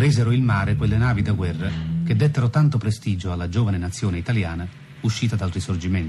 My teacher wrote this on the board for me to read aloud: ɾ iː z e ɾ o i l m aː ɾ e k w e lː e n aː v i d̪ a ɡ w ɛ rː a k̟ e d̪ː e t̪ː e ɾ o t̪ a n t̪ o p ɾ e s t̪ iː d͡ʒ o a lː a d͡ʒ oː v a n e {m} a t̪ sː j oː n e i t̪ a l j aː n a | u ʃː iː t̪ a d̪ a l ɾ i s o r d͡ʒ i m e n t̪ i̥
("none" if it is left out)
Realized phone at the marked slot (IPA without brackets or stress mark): n